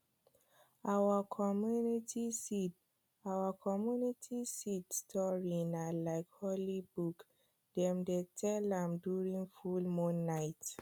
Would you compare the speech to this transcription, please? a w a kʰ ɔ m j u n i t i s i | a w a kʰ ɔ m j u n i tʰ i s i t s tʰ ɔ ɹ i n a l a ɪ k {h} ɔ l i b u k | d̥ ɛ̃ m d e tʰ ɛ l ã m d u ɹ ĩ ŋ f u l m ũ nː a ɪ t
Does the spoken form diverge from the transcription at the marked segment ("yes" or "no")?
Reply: no